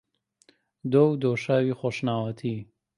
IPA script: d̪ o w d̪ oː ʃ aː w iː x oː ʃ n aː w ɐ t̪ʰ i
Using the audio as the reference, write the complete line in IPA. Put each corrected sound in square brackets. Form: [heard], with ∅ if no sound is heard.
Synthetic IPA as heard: d̪ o w d̪ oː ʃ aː w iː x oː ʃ n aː w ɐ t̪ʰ i